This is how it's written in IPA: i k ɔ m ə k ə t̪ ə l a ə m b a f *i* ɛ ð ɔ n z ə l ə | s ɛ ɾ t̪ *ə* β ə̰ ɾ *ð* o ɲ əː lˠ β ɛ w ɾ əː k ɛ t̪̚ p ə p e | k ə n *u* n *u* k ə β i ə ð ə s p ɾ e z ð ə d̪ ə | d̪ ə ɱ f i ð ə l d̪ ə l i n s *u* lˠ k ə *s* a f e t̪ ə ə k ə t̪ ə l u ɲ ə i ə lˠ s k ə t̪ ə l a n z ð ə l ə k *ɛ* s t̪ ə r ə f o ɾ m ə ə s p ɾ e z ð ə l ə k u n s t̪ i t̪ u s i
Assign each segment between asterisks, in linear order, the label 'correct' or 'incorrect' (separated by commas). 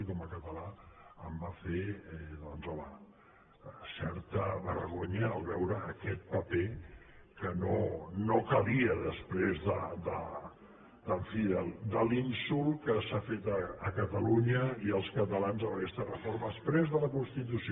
incorrect, correct, incorrect, incorrect, incorrect, correct, correct, correct